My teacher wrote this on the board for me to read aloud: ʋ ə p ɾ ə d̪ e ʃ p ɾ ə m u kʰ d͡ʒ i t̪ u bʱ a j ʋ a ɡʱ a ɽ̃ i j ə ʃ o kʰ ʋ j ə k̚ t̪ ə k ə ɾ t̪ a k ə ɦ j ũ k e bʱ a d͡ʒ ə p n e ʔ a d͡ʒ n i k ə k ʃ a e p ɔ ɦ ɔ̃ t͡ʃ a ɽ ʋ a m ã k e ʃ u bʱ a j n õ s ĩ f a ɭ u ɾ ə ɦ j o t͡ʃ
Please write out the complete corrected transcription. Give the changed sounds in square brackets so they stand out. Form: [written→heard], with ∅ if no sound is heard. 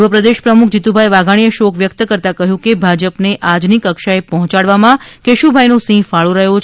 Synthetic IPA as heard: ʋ ə p ɾ ə d̪ e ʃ p ɾ ə m u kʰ d͡ʒ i t̪ u bʱ a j ʋ a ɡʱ a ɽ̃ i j ə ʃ o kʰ ʋ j ə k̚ t̪ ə k ə ɾ t̪ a k ə ɦ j ũ k e bʱ a d͡ʒ ə p n e ʔ a d͡ʒ n i k ə k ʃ a e p ɔ ɦ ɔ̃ t͡ʃ a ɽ ʋ a m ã k e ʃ u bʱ a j n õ s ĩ f a ɭ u ɾ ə ɦ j o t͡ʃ